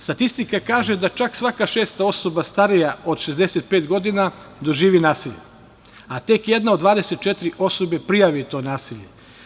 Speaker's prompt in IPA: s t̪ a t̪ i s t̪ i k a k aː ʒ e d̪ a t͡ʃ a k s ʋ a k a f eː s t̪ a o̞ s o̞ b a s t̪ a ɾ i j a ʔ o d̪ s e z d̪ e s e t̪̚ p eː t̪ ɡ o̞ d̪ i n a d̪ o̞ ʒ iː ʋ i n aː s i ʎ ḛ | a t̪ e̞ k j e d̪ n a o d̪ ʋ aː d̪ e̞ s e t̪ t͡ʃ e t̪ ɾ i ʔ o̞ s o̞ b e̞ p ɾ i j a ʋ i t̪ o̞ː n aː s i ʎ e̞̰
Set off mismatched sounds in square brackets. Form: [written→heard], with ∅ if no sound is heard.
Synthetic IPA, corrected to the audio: s t̪ a t̪ i s t̪ i k a k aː ʒ e d̪ a t͡ʃ a k s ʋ a k a [f→ʃ] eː s t̪ a o̞ s o̞ b a s t̪ a ɾ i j a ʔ o d̪ [s→ʃ] e z d̪ e s e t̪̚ p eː t̪ ɡ o̞ d̪ i n a d̪ o̞ ʒ iː ʋ i n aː s i ʎ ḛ | a t̪ e̞ k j e d̪ n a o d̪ ʋ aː d̪ e̞ s e t̪ t͡ʃ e t̪ ɾ i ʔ o̞ s o̞ b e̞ p ɾ i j a ʋ i t̪ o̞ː n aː s i ʎ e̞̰